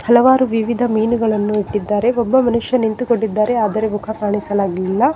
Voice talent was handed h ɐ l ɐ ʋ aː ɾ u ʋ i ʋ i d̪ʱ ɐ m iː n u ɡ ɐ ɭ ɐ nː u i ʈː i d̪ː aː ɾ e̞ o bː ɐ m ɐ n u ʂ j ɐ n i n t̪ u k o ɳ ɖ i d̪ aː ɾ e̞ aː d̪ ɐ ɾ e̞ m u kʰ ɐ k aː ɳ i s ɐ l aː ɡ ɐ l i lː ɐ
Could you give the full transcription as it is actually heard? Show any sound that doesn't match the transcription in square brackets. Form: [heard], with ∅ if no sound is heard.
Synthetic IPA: h ɐ l ɐ ʋ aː ɾ u ʋ i ʋ i d̪ʱ ɐ m iː n u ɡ ɐ ɭ ɐ nː u i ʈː i d̪ː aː ɾ e̞ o bː ɐ m ɐ n u ʂ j ɐ n i n t̪ u k o ɳ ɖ i [d̪ː] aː ɾ e̞ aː d̪ ɐ ɾ e̞ m u kʰ ɐ k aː ɳ i s ɐ l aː ɡ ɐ l i lː ɐ